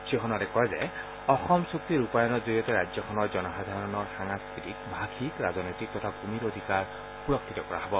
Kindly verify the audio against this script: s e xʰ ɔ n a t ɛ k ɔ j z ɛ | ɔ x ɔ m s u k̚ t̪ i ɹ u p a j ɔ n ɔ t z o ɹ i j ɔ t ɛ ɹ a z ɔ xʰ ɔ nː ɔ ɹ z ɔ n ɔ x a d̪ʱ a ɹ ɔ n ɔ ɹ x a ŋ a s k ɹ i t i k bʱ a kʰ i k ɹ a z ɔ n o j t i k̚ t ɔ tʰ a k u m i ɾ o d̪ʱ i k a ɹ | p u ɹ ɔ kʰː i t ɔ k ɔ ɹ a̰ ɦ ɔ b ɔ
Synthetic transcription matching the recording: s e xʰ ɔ n a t ɛ k ɔ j z ɛ | ɔ x ɔ m s u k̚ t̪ i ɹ u p a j ɔ n ɔ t z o ɹ i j ɔ t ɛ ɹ a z ɔ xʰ ɔ n ɔ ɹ z ɔ n ɔ x a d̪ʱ a ɹ ɔ n ɔ ɹ x a ŋ a s k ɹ i t i k bʱ a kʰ i k ɹ a z ɔ n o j t i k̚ t ɔ tʰ a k u m i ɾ o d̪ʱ i k a ɹ | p u ɹ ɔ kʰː i t ɔ k ɔ ɹ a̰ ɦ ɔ b ɔ